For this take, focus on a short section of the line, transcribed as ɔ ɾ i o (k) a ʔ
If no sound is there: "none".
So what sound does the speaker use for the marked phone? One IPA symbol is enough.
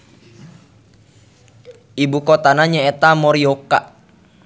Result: k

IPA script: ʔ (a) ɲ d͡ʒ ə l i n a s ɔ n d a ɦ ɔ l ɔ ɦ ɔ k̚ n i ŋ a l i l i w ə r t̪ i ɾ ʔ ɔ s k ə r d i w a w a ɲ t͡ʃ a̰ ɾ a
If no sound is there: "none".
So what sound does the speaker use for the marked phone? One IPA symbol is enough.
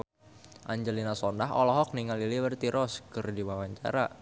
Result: a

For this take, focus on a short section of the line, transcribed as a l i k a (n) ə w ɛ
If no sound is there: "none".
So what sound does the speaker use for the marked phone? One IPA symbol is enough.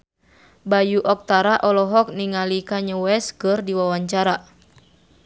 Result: ɲ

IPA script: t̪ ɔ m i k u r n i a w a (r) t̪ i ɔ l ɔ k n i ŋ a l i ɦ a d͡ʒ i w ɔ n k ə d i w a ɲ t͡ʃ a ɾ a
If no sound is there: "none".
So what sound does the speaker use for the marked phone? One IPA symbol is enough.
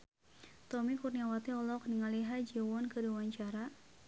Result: none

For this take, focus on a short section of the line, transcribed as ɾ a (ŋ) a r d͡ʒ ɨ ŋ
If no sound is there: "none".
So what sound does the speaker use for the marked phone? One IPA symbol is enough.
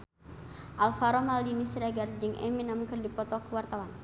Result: ɡ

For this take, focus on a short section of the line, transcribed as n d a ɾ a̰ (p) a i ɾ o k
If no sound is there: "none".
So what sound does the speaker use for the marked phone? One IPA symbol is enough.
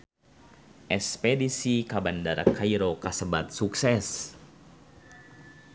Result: k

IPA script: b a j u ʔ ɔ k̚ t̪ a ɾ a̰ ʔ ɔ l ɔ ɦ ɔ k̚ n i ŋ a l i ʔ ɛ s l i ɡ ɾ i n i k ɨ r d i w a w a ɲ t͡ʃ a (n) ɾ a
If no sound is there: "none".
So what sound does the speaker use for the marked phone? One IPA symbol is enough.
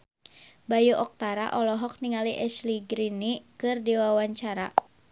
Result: none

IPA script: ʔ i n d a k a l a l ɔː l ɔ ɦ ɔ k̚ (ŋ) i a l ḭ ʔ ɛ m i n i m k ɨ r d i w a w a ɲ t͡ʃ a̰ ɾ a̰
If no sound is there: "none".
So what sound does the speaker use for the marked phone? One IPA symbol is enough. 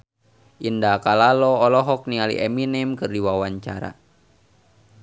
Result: n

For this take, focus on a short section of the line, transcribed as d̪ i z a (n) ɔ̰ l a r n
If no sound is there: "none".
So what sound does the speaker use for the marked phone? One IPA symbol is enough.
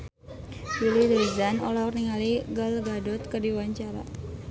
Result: n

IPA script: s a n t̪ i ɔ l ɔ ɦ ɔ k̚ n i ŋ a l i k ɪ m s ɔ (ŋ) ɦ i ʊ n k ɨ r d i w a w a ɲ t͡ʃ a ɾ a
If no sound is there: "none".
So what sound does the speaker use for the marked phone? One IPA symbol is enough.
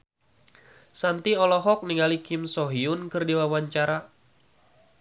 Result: none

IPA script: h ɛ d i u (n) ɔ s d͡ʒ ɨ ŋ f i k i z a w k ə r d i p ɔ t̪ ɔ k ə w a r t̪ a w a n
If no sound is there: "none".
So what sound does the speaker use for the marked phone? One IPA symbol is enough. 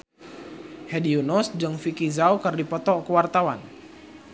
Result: n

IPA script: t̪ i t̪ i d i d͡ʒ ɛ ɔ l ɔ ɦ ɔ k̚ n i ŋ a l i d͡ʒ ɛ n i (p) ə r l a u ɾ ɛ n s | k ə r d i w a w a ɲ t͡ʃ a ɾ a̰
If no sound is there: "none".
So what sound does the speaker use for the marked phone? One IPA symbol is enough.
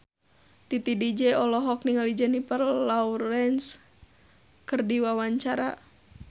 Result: p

